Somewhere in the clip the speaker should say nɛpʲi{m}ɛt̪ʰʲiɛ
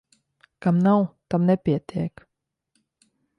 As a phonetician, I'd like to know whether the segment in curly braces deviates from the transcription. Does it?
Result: yes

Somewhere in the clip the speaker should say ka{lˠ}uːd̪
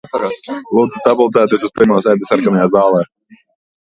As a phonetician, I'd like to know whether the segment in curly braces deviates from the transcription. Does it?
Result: no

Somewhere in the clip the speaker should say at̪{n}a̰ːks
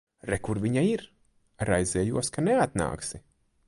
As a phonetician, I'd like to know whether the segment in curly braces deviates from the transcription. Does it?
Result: no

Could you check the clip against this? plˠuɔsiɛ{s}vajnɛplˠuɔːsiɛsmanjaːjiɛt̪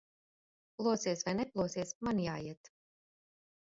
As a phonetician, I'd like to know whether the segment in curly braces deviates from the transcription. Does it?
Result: no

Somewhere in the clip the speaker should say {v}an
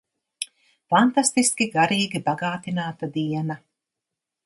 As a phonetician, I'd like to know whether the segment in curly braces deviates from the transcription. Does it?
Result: yes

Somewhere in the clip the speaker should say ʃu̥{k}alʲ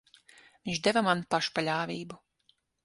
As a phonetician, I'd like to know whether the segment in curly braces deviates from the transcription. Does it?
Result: yes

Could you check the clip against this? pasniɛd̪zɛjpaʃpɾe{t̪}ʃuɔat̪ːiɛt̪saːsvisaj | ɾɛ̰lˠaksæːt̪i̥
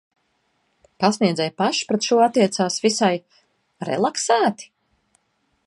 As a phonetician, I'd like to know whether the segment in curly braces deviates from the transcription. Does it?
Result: no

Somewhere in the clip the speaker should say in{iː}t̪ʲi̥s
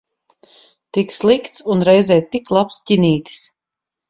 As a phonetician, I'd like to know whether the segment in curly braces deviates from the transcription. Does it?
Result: no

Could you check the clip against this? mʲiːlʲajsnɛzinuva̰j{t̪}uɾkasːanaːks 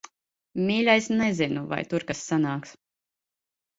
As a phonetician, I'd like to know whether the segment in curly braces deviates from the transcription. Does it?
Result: no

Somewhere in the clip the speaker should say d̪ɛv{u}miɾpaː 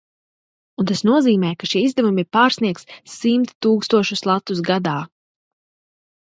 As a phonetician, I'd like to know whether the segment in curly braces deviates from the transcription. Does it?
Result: no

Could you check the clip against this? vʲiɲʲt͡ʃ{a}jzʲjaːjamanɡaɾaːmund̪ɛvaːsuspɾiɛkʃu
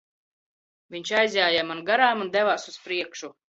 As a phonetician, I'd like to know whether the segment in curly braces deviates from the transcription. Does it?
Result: no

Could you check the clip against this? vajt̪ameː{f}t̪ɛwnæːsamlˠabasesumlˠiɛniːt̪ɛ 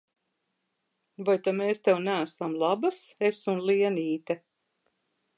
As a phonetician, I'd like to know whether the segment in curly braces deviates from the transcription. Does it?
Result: yes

